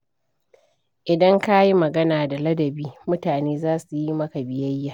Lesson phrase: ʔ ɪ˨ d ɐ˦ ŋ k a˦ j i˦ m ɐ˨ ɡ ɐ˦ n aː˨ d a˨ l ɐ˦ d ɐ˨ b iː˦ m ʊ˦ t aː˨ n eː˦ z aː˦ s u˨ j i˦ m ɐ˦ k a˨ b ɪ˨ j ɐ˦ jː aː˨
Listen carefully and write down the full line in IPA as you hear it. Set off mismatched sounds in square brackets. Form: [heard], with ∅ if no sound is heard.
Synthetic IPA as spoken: ʔ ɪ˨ d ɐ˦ ŋ k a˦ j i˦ m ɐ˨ ɡ ɐ˦ n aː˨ d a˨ l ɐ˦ d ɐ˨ b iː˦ m ʊ˦ t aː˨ n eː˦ z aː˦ s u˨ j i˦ m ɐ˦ k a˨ b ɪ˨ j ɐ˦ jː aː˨